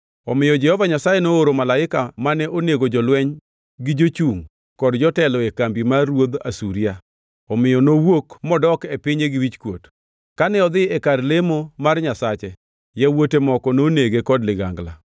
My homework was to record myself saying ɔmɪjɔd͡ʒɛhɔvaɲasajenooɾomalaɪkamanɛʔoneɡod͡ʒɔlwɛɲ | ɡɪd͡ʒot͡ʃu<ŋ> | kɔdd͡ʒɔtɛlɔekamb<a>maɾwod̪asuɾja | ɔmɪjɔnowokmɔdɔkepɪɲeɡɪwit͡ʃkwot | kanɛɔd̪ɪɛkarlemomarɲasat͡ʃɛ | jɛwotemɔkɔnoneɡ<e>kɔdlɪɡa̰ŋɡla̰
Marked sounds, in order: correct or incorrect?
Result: correct, incorrect: i, correct

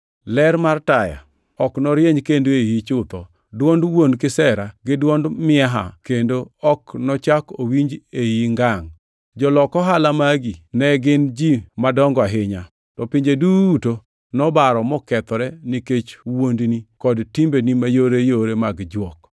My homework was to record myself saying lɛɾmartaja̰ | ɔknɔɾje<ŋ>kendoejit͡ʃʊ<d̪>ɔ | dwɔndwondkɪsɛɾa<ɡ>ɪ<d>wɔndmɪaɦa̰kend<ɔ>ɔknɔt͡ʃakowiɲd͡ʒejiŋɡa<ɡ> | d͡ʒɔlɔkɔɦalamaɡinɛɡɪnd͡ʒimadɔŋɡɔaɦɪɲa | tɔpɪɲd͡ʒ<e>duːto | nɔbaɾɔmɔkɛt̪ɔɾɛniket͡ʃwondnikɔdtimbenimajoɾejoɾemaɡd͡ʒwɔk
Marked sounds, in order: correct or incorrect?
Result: incorrect: ɲ, incorrect: t̪, correct, correct, incorrect: o, incorrect: ŋ, correct

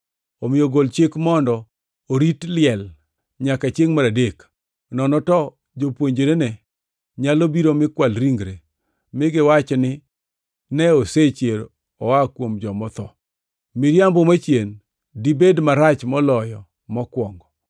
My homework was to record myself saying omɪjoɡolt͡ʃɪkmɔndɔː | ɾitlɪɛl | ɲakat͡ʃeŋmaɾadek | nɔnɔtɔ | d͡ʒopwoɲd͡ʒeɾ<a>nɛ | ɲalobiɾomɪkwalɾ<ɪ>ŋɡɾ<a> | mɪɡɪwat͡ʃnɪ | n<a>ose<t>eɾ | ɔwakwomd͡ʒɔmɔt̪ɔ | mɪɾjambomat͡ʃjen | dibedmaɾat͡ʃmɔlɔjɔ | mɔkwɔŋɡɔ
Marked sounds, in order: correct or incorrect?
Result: incorrect: e, incorrect: i, incorrect: e, incorrect: ɛ, incorrect: t͡ʃ

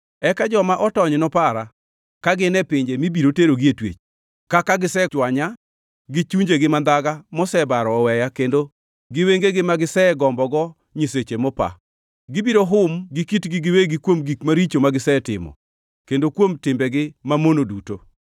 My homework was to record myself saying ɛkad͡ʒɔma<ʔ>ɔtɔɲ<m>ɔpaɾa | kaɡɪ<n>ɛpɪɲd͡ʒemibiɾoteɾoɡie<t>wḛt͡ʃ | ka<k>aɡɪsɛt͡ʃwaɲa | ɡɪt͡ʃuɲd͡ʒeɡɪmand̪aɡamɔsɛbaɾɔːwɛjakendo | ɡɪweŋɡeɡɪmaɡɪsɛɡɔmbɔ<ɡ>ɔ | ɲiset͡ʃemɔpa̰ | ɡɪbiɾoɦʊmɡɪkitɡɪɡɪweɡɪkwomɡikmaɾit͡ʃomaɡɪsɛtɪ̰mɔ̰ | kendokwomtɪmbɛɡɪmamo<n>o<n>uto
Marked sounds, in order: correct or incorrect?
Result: correct, incorrect: n, correct, correct, correct, correct, correct, incorrect: d

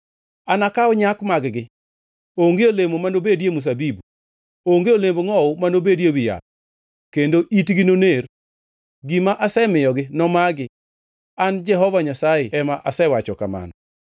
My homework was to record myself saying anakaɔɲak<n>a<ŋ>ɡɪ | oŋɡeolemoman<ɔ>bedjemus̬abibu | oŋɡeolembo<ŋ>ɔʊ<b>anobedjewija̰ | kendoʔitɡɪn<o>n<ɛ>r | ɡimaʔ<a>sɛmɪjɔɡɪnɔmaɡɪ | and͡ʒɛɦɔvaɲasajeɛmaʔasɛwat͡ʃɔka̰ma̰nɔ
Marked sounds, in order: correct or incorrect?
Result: incorrect: m, incorrect: ɡ, incorrect: o, correct, incorrect: m, correct, incorrect: e, correct

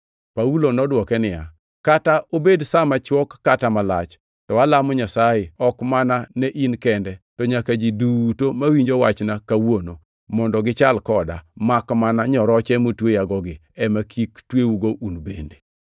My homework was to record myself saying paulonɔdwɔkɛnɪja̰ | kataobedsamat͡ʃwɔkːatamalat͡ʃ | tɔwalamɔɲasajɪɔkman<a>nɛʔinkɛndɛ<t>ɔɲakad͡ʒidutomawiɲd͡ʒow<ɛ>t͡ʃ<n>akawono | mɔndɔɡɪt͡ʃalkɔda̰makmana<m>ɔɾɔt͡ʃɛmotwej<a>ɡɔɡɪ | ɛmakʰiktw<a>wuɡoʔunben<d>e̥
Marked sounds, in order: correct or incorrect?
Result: correct, correct, incorrect: a, correct, incorrect: ɲ, correct, incorrect: e, correct

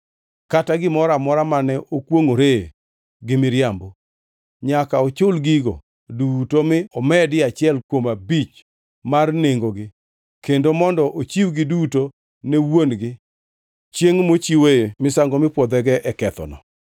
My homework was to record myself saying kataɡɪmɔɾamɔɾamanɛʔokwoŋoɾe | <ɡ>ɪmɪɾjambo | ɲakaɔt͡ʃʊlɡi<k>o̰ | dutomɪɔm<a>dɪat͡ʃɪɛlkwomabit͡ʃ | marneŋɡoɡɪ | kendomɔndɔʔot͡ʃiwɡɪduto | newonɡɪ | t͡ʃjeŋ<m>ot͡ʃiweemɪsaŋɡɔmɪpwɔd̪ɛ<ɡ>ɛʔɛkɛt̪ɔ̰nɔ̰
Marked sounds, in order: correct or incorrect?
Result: correct, incorrect: ɡ, incorrect: ɛ, correct, correct

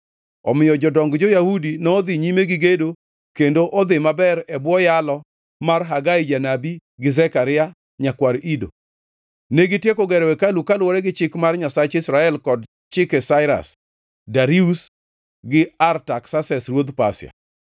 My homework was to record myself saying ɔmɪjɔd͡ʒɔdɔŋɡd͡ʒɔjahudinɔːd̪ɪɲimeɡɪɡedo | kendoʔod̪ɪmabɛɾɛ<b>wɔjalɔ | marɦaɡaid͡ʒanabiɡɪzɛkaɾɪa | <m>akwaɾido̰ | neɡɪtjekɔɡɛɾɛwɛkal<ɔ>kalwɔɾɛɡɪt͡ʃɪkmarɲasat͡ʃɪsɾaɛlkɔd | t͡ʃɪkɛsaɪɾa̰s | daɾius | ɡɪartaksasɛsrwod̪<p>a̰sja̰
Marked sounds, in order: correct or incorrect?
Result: correct, incorrect: ɲ, incorrect: u, correct

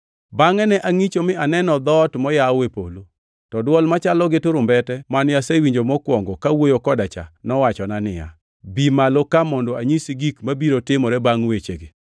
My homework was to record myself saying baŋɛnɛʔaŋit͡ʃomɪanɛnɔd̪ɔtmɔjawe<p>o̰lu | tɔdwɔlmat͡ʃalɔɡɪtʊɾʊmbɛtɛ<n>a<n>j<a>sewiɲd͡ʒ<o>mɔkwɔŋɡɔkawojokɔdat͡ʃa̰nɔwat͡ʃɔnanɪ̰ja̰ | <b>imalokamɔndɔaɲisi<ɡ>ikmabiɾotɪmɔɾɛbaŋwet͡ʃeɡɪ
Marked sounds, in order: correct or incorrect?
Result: correct, incorrect: m, correct, correct, correct, correct, correct

